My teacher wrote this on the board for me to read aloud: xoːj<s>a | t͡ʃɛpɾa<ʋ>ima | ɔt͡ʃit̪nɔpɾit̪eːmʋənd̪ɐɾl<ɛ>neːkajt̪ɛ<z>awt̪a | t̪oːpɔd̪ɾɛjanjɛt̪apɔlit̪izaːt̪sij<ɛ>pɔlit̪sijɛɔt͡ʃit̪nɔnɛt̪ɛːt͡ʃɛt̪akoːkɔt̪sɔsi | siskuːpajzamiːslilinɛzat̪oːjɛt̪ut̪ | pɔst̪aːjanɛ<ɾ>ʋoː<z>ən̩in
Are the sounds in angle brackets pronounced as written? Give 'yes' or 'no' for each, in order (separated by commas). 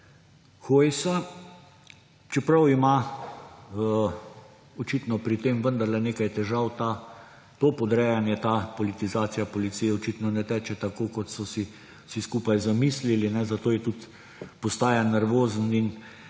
yes, no, yes, no, no, yes, yes